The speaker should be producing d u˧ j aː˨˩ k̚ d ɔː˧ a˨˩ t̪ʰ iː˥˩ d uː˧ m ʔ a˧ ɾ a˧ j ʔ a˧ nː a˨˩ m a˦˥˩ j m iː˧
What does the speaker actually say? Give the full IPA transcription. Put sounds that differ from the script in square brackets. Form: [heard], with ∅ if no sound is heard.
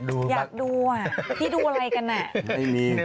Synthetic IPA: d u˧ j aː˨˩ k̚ d [uː˧] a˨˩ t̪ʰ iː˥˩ d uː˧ [∅] ʔ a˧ ɾ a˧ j [k] a˧ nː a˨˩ m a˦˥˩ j m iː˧

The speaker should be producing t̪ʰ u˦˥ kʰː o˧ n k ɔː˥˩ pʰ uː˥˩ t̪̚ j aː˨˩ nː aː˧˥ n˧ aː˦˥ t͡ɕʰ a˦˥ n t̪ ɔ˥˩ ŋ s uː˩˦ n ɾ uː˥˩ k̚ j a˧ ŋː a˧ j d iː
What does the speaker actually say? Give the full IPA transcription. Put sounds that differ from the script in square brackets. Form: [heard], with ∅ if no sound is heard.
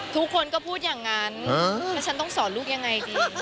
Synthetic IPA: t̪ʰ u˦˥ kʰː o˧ n k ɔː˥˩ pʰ uː˥˩ t̪̚ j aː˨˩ [ŋː] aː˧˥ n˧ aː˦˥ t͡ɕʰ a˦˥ n t̪ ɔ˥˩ ŋ s [ɔː˩˦] n [l] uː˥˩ k̚ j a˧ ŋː a˧ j d iː

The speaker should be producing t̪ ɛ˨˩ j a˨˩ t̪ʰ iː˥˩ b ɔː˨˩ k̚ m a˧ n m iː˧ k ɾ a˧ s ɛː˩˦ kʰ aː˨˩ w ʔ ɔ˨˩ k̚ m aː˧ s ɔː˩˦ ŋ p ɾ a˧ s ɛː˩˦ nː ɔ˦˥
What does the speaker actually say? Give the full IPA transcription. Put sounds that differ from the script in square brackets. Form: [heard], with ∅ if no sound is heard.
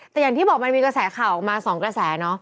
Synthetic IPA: t̪ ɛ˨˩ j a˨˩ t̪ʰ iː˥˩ b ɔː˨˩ k̚ m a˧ n m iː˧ k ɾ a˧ s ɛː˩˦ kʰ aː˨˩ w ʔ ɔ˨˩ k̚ m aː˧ s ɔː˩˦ ŋ [k] ɾ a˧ s ɛː˩˦ [n] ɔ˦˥

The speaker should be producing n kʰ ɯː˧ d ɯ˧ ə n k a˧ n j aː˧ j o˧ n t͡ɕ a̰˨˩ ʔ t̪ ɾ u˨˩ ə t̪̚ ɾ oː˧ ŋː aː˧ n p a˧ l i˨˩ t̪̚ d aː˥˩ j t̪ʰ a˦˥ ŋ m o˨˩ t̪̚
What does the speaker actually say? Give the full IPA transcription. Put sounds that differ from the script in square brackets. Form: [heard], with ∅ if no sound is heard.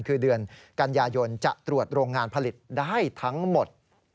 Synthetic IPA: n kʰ ɯː˧ d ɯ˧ ə n k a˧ n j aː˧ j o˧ n t͡ɕ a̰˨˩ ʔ t̪ ɾ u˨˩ ə t̪̚ ɾ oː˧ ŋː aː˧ n [pʰ] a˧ l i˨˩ t̪̚ d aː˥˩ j t̪ʰ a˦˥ ŋ m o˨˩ t̪̚

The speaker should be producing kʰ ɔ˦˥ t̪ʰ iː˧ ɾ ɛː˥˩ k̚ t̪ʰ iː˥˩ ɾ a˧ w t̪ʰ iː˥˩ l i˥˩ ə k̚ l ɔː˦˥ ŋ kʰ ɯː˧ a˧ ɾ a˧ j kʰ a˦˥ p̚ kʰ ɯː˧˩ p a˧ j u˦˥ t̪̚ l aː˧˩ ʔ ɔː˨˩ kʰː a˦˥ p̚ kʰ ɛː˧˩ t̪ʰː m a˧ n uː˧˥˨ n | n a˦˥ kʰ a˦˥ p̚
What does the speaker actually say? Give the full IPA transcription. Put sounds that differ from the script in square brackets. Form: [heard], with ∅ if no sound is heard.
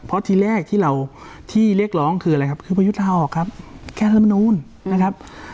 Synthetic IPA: [pʰ] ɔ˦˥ t̪ʰ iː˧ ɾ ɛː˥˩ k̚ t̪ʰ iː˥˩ ɾ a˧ w t̪ʰ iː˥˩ l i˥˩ ə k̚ l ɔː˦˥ ŋ kʰ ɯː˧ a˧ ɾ a˧ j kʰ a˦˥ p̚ kʰ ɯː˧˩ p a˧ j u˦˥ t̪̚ l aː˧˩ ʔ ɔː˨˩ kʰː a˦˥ p̚ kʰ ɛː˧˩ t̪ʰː m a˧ n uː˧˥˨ n | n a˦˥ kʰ a˦˥ p̚

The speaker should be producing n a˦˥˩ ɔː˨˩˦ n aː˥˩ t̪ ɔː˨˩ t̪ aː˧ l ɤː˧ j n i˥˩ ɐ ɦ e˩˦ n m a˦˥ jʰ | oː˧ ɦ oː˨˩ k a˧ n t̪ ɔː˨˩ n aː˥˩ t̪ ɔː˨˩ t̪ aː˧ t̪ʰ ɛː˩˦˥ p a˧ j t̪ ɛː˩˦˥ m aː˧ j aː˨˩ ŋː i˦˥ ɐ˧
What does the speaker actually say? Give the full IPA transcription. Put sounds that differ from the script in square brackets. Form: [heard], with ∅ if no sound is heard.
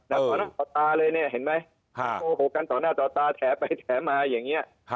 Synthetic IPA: n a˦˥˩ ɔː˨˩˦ n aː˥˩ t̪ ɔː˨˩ t̪ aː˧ l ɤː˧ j n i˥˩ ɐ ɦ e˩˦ n m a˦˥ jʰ | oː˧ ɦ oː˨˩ k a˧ n t̪ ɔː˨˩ n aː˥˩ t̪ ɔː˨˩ t̪ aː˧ t̪ʰ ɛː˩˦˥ p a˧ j [t̪ʰ] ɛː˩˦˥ m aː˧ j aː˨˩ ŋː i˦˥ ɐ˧

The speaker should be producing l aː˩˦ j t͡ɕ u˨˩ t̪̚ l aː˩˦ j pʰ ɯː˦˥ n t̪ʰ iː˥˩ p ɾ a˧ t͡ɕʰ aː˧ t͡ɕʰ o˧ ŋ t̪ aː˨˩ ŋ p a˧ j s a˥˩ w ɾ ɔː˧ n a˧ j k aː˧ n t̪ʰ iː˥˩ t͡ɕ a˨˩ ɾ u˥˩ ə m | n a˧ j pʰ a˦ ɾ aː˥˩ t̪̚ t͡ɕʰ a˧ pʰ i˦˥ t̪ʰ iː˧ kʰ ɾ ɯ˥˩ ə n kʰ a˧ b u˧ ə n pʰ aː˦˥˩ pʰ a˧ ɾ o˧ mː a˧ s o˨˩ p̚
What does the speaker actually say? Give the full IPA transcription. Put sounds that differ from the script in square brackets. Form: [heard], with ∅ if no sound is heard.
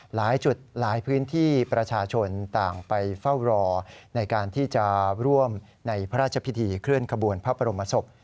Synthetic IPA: l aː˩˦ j t͡ɕ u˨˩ t̪̚ l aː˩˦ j pʰ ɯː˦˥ n t̪ʰ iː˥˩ p ɾ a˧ t͡ɕʰ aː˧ t͡ɕʰ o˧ [n] t̪ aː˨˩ ŋ p a˧ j [f] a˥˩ w ɾ ɔː˧ n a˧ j k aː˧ n t̪ʰ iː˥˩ t͡ɕ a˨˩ ɾ u˥˩ ə m | n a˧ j pʰ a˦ ɾ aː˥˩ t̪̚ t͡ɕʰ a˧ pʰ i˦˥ t̪ʰ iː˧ kʰ ɾ ɯ˥˩ ə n kʰ a˧ b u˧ ə n pʰ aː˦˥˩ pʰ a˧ ɾ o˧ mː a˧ s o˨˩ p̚

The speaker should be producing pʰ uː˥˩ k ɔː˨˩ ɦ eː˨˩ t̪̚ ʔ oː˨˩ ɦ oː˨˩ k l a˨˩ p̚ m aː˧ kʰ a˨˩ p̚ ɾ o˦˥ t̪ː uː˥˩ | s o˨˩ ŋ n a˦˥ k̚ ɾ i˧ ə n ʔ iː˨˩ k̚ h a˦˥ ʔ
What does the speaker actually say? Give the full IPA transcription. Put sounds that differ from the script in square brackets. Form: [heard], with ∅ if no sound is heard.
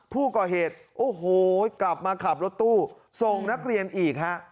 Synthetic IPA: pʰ uː˥˩ k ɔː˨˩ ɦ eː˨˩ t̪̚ ʔ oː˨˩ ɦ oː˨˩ k l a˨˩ p̚ m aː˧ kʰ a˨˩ p̚ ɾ o˦˥ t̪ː uː˥˩ | s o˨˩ ŋ n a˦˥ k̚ ɾ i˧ ə n ʔ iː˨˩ k̚ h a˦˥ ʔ

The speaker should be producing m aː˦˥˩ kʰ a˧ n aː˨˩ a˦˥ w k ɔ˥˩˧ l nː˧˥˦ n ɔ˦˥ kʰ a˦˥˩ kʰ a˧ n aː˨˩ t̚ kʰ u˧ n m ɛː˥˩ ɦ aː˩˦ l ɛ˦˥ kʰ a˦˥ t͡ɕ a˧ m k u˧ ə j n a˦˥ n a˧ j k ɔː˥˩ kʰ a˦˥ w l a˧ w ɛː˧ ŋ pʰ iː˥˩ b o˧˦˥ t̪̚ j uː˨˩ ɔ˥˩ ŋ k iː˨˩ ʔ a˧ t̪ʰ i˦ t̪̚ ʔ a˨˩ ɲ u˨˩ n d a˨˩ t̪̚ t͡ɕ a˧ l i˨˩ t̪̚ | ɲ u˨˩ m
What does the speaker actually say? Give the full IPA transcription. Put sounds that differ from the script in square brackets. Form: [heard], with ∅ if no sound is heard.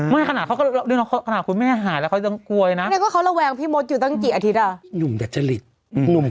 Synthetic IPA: m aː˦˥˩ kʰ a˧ n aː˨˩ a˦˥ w k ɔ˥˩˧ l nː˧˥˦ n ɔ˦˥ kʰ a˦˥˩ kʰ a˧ n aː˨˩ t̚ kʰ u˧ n m ɛː˥˩ ɦ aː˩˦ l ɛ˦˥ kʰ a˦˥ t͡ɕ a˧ [ŋ] k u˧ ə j n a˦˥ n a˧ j k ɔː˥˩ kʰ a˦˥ w l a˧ w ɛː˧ ŋ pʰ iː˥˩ [m] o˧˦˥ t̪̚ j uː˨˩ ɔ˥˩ ŋ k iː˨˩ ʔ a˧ t̪ʰ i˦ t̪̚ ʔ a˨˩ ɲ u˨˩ [m] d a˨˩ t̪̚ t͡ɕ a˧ l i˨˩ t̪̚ | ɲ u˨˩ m

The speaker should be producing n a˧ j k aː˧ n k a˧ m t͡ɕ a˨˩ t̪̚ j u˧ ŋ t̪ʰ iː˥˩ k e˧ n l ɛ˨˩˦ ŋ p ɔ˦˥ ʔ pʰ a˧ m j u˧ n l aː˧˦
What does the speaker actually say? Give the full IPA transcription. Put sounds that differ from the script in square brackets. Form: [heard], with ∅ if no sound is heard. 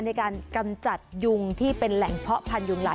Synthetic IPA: n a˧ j k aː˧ n k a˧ m t͡ɕ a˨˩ t̪̚ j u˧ ŋ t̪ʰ iː˥˩ [p] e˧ n l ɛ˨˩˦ ŋ [pʰ] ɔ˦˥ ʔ pʰ a˧ [n] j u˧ [ŋ] l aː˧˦

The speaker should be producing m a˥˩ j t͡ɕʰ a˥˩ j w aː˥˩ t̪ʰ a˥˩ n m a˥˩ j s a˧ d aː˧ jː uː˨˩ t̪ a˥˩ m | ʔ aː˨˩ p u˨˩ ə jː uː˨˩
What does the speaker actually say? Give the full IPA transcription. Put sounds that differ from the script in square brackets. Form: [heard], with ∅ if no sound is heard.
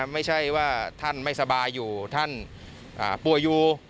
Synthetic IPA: m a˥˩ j t͡ɕʰ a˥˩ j w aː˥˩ t̪ʰ a˥˩ n m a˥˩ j s a˧ [b] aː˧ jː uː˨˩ [t̪ʰ] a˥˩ [n] | ʔ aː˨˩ p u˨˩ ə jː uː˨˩

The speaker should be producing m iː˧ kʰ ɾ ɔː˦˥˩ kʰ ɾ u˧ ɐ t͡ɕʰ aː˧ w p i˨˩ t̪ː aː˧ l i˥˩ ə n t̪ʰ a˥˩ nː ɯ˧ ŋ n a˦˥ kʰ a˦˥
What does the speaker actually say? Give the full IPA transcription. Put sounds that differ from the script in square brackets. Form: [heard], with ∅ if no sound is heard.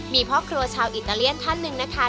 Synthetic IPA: m iː˧ [pʰ] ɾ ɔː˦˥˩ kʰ ɾ u˧ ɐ t͡ɕʰ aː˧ w [ʔ] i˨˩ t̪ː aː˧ l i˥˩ ə n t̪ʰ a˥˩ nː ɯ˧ ŋ n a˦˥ kʰ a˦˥

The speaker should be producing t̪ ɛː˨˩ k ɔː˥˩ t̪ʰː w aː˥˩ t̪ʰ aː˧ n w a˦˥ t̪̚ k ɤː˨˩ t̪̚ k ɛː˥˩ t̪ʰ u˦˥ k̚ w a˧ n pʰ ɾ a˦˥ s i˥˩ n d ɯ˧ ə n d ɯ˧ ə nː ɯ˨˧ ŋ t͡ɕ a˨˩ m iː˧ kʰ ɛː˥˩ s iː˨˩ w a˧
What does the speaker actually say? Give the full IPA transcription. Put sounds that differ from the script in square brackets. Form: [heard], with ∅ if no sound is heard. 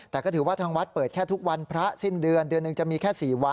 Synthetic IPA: t̪ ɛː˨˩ k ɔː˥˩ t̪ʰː w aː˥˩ t̪ʰ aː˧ [ŋ] w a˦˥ t̪̚ [p] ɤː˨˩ t̪̚ [kʰ] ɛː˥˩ t̪ʰ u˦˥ k̚ w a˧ n pʰ ɾ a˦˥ s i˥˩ n d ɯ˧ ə n d ɯ˧ ə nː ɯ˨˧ ŋ t͡ɕ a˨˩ m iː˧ kʰ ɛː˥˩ s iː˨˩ w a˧

